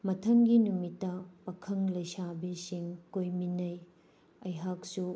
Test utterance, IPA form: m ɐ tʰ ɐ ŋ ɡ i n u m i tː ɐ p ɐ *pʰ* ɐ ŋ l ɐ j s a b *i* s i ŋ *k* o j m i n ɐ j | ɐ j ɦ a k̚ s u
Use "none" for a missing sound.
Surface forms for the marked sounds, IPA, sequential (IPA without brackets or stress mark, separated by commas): kʰ, i, k